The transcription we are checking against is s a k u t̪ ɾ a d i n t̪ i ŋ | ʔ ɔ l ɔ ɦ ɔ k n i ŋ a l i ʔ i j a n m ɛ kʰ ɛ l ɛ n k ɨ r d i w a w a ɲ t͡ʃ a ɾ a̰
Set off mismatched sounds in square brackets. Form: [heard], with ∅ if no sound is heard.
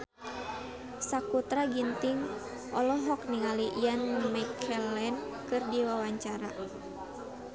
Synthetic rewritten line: s a k u t̪ ɾ a [ɡ] i n t̪ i ŋ | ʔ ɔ l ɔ ɦ ɔ k n i ŋ a l i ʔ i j a n m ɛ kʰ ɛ l ɛ n k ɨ r d i w a w a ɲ t͡ʃ a ɾ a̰